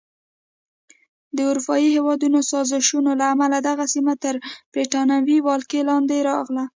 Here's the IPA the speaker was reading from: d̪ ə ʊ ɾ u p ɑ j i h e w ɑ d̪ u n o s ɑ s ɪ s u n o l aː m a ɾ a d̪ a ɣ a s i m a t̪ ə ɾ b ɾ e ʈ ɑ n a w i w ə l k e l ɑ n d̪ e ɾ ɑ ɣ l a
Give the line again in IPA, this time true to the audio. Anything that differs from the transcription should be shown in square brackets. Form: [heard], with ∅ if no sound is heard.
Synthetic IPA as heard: d̪ ə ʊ ɾ u p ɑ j i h e w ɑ d̪ u n o s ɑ [z] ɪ [ʃ] u n o l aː m a [l] a d̪ a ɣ a s i m a t̪ ə ɾ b ɾ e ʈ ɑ n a w i w [ɑ] l k e l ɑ n d̪ e ɾ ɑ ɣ l a

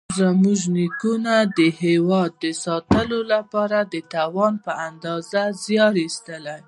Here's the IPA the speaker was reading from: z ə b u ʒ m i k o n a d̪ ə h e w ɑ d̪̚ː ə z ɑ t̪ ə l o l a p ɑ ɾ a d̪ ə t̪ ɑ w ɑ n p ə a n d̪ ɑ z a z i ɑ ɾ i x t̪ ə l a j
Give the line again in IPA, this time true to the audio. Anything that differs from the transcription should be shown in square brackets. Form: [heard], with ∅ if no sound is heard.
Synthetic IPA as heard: z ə [m] u ʒ [n] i k [u] n a d̪ ə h e w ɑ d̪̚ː ə [s] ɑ t̪ ə l o l a p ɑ ɾ a d̪ ə t̪ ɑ w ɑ n p ə a n d̪ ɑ z a z [j] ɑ ɾ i [s] t̪ ə l a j

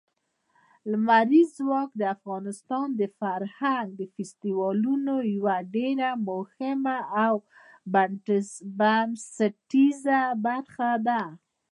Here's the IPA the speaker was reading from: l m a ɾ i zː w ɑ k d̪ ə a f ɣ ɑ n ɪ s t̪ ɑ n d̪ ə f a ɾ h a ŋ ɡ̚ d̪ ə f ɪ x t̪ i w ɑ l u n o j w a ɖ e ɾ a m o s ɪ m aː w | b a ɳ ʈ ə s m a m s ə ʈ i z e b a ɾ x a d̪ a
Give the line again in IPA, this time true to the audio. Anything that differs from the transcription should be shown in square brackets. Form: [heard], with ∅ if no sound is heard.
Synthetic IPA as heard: l m a ɾ i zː w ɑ k d̪ ə a f ɣ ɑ n ɪ s t̪ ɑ n d̪ ə f a ɾ h a ŋ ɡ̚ d̪ ə f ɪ [s] t̪ i w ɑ l u n o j w a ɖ e ɾ a m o [h] ɪ m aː w | b a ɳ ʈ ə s [b] a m s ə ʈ i z [a] b a ɾ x a d̪ a

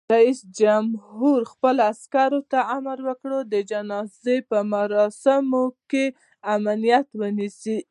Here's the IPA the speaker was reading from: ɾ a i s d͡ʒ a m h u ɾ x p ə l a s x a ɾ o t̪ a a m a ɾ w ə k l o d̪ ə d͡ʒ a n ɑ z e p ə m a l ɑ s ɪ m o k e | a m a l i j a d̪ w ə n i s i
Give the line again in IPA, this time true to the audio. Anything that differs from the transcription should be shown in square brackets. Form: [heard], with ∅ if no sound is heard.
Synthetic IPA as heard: ɾ a i s d͡ʒ a m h u ɾ x p ə l a s [k] a ɾ o t̪ a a m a ɾ w ə k [ɽ] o d̪ ə d͡ʒ a n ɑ z e p ə m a [ɾ] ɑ s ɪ m o k e | a m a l i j a [t̪] w ə n i s i

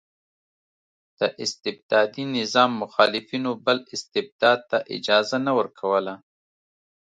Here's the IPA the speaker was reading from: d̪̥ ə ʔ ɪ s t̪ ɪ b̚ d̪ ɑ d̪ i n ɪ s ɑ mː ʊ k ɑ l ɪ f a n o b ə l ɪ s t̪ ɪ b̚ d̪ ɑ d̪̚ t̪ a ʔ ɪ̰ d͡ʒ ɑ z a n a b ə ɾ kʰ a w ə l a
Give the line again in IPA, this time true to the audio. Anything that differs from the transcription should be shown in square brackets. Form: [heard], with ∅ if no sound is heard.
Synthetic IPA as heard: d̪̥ ə ʔ ɪ s t̪ ɪ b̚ d̪ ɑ d̪ i n ɪ [z] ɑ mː ʊ [x] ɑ l ɪ f [i] n o b ə l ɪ s t̪ ɪ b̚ d̪ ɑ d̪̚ t̪ a ʔ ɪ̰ d͡ʒ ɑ z a n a [w] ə ɾ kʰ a w ə l a

